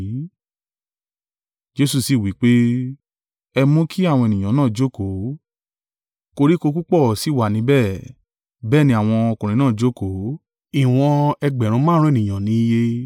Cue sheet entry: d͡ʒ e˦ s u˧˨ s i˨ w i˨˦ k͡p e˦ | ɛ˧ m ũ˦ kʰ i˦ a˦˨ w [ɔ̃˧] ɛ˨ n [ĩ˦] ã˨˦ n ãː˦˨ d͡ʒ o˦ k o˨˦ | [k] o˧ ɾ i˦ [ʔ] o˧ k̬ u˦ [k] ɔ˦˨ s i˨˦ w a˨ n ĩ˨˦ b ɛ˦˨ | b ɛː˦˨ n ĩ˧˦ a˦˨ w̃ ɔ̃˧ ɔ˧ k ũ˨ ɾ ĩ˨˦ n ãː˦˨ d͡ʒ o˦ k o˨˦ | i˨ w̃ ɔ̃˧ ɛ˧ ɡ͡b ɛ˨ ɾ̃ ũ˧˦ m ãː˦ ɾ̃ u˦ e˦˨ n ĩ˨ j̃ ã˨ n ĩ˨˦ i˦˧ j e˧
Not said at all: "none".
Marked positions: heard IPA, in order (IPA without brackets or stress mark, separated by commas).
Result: ɔ̃˧, ĩ˨, k, k, k͡p